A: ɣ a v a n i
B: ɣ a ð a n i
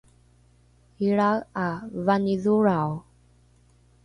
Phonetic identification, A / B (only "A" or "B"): A